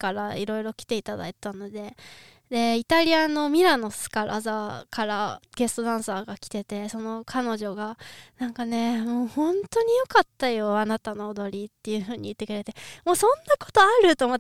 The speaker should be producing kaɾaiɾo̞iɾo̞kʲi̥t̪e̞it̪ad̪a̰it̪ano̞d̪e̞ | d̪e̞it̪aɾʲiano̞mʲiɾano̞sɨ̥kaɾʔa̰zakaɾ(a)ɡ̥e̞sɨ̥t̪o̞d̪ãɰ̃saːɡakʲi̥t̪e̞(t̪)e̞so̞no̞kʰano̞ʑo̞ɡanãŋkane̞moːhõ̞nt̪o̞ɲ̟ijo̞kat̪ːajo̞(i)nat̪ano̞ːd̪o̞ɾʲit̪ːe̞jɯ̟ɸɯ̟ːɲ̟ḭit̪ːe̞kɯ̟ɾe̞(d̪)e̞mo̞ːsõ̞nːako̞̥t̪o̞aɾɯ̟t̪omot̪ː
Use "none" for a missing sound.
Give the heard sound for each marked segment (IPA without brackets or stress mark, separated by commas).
a, t̪, a, t̪